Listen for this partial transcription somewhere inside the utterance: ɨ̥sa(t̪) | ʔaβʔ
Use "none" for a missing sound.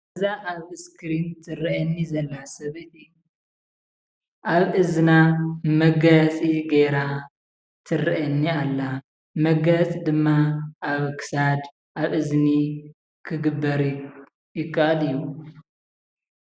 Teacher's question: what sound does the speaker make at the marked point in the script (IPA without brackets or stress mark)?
d̪